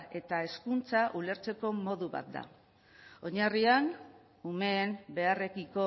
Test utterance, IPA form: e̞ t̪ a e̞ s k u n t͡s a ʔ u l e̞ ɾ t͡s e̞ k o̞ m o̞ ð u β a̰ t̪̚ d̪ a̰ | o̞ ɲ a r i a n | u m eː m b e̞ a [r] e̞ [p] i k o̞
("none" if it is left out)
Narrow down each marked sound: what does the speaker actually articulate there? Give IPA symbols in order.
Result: r, k

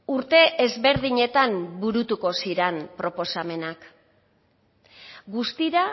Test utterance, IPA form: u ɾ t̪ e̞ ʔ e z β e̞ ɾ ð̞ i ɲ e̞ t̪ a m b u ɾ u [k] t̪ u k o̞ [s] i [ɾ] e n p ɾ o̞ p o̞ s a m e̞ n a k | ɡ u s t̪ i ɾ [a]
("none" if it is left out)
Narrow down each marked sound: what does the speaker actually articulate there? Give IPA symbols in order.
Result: none, s, ɾ, a

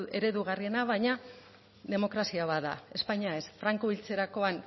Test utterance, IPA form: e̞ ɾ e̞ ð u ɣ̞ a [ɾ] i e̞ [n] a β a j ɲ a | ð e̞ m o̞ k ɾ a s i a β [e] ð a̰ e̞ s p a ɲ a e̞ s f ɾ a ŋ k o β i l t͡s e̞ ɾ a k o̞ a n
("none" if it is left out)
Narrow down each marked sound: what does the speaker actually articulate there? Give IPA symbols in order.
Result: r, n, a

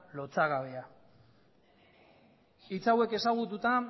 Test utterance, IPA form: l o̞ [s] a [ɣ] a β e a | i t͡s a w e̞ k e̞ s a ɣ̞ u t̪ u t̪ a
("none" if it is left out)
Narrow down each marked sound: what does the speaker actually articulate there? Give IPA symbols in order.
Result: t͡s, ɣ

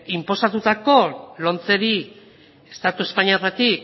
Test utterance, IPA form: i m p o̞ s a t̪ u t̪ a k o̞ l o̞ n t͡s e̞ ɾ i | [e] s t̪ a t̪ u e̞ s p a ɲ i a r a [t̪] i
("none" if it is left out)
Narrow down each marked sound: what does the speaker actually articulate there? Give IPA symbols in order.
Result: e, t̪

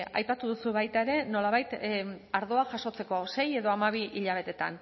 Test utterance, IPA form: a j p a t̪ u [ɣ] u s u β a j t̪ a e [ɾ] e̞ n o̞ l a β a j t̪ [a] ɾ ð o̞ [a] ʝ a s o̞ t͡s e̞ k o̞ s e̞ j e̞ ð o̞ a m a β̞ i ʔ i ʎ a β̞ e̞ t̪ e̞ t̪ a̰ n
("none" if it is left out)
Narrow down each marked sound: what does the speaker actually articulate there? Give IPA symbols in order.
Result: ð, ɾ, a, a

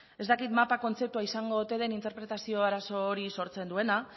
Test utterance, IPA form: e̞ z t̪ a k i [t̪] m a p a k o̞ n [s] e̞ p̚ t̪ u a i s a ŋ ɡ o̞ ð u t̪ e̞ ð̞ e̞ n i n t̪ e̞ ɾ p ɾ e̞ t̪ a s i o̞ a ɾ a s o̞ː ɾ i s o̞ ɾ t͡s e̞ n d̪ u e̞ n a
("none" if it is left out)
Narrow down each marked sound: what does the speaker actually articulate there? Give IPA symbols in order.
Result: t̪, t͡s

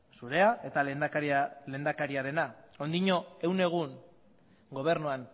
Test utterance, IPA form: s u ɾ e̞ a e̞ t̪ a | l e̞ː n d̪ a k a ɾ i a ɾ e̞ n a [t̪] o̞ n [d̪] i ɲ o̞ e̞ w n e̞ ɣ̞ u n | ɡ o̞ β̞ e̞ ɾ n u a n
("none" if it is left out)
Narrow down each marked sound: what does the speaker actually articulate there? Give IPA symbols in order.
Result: none, d̪

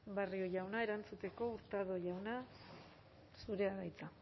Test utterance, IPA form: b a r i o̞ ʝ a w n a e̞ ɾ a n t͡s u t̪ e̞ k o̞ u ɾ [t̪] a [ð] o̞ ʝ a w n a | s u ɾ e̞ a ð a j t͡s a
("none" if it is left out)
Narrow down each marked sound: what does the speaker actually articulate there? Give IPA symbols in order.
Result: t̪, ð

